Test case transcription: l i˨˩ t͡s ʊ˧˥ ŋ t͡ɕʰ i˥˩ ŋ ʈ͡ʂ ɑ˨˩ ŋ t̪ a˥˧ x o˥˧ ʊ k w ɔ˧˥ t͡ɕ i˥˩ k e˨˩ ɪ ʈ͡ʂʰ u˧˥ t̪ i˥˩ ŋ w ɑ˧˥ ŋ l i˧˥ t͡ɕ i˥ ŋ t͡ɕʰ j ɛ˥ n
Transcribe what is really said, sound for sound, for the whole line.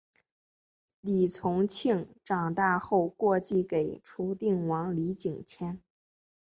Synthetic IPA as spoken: l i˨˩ t͡sʰ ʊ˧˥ ŋ t͡ɕʰ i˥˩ ŋ ʈ͡ʂ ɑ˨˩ ŋ t̪ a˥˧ x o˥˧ ʊ k w ɔ˥˧ t͡ɕ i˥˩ k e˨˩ ɪ ʈ͡ʂʰ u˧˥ t̪ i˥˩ ŋ w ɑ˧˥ ŋ l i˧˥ t͡ɕ i˨˩ ŋ t͡ɕʰ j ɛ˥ n

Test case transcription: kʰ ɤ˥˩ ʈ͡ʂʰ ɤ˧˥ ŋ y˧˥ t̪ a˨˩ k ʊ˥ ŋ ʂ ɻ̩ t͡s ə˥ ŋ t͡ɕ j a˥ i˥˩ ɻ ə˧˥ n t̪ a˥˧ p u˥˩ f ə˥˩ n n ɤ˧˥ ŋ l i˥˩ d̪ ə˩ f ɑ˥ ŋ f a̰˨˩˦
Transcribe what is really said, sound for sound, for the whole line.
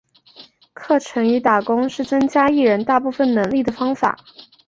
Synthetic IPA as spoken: kʰ ɤ˥˩ ʈ͡ʂʰ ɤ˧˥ ŋ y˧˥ t̪ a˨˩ k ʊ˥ ŋ ʂ ɻ̩ t͡s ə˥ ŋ t͡ɕ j a˥ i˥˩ ɻ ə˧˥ n t̪ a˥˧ p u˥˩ f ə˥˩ n n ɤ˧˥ ŋ l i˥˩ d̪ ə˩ f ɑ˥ ŋ f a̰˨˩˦

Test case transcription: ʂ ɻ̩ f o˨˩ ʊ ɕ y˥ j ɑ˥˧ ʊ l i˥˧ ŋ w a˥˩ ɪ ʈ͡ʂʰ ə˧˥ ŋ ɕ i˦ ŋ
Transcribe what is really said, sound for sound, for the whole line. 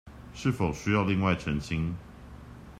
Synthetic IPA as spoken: ʂ ɻ̩ f o˨˩ ʊ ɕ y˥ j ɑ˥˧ ʊ l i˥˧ ŋ w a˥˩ ɪ ʈ͡ʂʰ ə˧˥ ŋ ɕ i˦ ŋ

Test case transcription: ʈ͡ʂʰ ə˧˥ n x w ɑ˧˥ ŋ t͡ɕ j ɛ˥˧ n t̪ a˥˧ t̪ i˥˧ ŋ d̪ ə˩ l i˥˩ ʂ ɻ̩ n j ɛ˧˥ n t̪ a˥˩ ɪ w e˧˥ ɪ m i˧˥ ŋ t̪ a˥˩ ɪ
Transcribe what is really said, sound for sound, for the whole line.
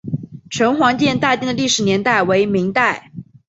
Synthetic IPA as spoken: ʈ͡ʂʰ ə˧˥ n x w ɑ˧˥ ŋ t͡ɕ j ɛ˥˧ n t̪ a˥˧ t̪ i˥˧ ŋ d̪ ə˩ l i˥˩ ʂ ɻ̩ n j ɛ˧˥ n t̪ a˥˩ ɪ w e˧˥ ɪ m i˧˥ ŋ t̪ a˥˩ ɪ

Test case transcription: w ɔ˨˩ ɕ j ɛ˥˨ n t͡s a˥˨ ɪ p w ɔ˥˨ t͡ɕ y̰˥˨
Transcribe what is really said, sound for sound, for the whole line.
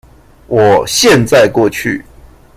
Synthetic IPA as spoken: w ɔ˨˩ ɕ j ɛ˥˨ n t͡s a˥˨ ɪ k w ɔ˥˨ t͡ɕʰ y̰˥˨

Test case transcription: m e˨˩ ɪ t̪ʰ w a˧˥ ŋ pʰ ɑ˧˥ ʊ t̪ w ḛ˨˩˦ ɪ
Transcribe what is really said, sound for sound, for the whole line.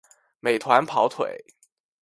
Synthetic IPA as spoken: m e˨˩ ɪ t̪ʰ w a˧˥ n pʰ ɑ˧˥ ʊ t̪ʰ w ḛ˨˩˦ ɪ

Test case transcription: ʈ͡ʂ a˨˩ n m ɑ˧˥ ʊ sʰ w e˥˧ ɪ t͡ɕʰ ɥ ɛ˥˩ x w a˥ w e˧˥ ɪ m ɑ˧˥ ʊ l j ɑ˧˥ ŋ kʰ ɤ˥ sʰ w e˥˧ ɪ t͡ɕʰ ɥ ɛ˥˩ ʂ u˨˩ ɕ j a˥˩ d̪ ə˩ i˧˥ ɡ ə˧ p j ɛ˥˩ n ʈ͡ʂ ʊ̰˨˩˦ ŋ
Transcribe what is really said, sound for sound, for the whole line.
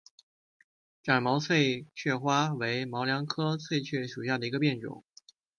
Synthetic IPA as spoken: ʈ͡ʂ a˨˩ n m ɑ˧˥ ʊ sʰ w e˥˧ ɪ t͡ɕʰ ɥ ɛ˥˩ x w a˥ w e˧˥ ɪ m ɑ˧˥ ʊ l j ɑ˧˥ ŋ kʰ ɤ˥ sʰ w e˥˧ ɪ t͡ɕʰ ɥ ɛ˥˩ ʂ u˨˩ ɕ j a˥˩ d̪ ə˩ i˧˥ ɡ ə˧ p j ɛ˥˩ n ʈ͡ʂ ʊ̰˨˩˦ ŋ

